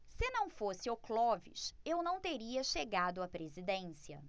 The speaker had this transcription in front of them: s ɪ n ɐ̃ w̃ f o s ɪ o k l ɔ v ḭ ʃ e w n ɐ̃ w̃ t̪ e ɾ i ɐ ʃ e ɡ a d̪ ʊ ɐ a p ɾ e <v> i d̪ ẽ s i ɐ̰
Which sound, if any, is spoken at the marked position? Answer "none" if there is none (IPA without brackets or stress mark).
z